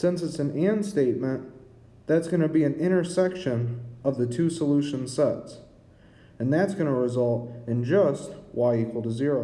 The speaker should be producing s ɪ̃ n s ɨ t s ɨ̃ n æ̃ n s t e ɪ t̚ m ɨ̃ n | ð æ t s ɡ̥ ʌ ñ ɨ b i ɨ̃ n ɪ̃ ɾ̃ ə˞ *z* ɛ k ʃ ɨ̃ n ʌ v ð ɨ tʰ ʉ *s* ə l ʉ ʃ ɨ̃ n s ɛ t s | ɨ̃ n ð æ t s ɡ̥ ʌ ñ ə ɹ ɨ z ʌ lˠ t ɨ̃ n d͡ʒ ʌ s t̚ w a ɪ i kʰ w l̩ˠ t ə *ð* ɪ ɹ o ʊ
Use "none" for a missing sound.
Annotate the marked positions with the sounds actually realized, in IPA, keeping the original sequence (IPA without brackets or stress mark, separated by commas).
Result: s, s, z